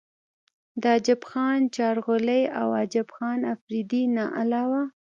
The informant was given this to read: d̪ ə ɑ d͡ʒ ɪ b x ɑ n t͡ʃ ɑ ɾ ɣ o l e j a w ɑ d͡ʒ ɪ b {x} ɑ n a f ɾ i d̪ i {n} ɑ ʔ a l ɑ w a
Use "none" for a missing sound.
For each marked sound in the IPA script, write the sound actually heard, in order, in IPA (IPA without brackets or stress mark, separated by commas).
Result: x, n